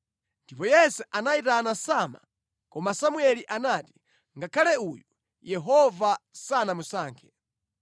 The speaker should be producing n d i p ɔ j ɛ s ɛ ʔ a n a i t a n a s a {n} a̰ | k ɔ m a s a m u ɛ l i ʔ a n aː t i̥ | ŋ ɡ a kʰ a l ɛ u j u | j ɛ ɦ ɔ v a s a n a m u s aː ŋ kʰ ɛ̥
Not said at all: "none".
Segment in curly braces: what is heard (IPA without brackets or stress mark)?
m